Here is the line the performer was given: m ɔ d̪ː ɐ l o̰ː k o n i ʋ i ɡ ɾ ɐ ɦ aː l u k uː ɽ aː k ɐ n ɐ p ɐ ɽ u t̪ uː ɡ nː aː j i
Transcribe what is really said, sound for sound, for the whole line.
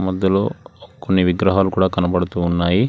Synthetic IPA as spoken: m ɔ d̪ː ɐ l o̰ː k o nː i ʋ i ɡ ɾ ɐ ɦ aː l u k uː ɽ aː k ɐ n ɐ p ɐ ɽ u t̪ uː nː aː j i